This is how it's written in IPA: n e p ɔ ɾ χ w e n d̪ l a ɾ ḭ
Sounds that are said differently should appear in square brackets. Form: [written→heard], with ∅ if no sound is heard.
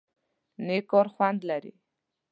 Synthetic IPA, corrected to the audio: n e [p→k] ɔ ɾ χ w [e→a] n d̪ l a ɾ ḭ